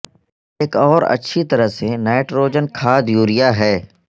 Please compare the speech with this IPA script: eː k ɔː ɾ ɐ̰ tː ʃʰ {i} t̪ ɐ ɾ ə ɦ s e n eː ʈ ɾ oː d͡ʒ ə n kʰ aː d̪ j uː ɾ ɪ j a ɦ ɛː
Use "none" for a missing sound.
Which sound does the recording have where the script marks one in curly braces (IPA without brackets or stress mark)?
i